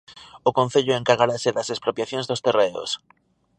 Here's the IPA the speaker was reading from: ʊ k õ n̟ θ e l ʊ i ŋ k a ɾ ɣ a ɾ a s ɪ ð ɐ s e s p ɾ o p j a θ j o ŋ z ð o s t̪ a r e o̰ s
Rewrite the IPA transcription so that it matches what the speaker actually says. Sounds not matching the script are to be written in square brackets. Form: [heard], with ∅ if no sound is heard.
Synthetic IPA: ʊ k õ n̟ θ e [ʎ] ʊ [e] ŋ k a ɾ ɣ a ɾ a s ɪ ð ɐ s e s p ɾ o p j a θ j o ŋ z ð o s t̪ [e] r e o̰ s

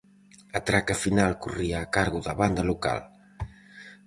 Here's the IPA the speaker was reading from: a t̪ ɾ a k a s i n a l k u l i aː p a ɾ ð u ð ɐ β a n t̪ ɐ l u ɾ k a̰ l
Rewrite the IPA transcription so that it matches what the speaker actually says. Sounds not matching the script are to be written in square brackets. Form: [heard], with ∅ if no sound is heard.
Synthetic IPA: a t̪ ɾ a k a [f] i n a l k u [r] i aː [k] a ɾ [ɣ] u ð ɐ β a n [d̪] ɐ l u [∅] k a̰ l

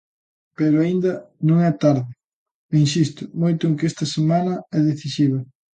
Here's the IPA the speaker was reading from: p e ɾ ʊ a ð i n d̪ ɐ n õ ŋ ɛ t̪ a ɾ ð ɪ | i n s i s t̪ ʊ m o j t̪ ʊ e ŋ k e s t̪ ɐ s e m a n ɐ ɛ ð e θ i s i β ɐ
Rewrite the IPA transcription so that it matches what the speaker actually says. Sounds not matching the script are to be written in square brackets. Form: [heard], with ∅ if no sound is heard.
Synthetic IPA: p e ɾ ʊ a [∅] i n d̪ ɐ n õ ŋ ɛ t̪ a ɾ ð ɪ | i n s i s t̪ ʊ m o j t̪ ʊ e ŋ k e s t̪ ɐ s e m a n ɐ ɛ ð e θ i s i β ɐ

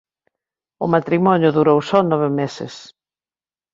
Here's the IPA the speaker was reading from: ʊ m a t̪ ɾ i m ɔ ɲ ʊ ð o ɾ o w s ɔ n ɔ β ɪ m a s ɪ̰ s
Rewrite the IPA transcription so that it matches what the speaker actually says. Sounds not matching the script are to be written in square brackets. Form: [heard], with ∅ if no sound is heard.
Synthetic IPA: ʊ m a t̪ ɾ i m ɔ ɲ ʊ ð [u] ɾ o w s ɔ n ɔ β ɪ m [e] s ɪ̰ s

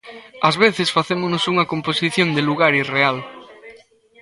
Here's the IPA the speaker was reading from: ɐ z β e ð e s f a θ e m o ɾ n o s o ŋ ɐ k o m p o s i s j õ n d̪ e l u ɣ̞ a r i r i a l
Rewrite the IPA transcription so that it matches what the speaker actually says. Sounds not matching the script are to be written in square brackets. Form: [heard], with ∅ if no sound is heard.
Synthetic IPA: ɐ z β e [θ] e s f a θ e m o [∅] n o s [u] ŋ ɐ k o m p o s i [θ] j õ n d̪ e l u ɣ̞ a [ɾ] i r [e] a l

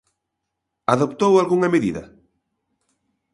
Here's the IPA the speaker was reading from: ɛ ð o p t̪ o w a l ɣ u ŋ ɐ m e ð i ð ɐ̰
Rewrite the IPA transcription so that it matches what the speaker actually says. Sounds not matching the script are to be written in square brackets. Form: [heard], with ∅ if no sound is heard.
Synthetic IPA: [a] ð o p t̪ o w a l ɣ u ŋ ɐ m e ð i ð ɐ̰

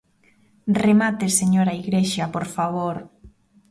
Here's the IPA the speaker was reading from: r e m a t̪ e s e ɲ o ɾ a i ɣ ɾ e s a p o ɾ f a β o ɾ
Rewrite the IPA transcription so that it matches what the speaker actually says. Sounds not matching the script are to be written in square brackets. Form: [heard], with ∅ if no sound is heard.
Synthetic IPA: r e m a t̪ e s e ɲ o ɾ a i ɣ ɾ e [ʃ] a p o ɾ f a β o ɾ

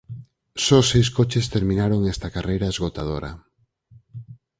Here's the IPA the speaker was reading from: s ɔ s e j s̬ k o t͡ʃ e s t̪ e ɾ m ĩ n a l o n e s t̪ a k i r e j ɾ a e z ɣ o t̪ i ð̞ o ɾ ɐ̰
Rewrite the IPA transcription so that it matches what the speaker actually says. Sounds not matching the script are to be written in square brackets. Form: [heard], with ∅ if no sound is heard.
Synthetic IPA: s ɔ s e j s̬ k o t͡ʃ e s t̪ e ɾ m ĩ n a [ɾ] o [ŋ] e s t̪ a k [a] r e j ɾ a e z ɣ o t̪ [a] ð̞ o ɾ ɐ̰

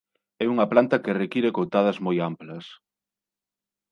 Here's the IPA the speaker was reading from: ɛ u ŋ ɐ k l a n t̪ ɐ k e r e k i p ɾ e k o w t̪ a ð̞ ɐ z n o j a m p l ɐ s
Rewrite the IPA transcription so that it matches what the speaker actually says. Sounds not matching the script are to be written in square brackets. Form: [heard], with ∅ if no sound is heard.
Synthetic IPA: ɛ u ŋ ɐ [p] l a n t̪ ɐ k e r e k i [∅] ɾ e k o w t̪ a ð̞ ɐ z [m] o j a m p l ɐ s

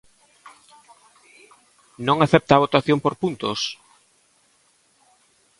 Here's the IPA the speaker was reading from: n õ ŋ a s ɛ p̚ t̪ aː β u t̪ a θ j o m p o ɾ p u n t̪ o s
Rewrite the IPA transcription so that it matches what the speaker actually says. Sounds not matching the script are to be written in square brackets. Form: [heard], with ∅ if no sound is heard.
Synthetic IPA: n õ ŋ a [θ] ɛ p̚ t̪ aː β [o] t̪ a θ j o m p o ɾ p u n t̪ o s

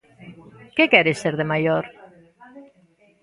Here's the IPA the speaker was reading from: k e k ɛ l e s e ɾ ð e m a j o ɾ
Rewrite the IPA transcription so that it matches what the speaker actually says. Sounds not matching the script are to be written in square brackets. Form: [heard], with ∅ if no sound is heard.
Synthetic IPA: k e k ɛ [ɾ] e s e ɾ ð e m a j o ɾ

